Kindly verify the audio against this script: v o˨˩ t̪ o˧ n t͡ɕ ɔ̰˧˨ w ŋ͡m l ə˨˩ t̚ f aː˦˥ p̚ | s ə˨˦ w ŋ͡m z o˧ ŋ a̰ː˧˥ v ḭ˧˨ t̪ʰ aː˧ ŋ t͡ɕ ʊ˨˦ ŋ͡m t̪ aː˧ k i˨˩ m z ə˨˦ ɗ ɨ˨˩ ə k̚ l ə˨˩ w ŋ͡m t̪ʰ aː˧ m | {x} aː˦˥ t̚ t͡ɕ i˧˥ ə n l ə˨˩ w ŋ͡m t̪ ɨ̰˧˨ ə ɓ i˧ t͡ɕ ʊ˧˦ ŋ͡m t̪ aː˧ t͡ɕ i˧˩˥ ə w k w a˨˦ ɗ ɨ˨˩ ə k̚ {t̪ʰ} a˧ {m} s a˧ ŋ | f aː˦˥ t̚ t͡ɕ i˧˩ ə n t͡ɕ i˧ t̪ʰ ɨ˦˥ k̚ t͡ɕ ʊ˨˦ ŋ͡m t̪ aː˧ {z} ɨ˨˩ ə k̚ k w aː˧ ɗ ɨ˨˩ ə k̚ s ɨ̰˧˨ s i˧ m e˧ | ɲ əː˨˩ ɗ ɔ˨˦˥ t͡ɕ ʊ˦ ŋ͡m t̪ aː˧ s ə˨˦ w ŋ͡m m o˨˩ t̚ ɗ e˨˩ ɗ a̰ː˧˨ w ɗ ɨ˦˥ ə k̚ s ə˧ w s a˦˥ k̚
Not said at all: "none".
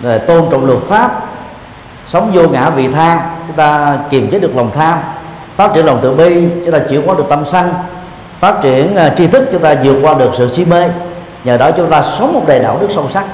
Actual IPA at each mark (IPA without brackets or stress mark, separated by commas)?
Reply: f, t̪, m, z